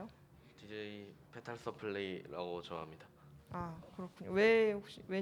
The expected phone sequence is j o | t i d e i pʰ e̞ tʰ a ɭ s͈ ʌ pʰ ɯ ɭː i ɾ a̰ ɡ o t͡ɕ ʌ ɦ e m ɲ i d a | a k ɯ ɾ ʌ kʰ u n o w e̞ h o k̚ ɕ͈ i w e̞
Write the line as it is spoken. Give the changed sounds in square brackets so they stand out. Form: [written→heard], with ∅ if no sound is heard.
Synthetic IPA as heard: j o | t i [d→d͡ʑ] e i pʰ e̞ tʰ a ɭ s͈ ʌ pʰ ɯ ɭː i ɾ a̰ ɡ o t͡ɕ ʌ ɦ [e→a] m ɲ i d a | a k ɯ ɾ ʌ kʰ u [n→ɲ] o w e̞ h o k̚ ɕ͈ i w e̞